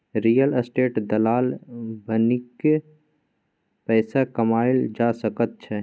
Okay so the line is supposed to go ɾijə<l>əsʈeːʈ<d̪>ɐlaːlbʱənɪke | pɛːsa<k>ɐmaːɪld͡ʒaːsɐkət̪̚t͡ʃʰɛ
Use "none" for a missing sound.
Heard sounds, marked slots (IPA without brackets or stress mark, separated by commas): l, d̪, k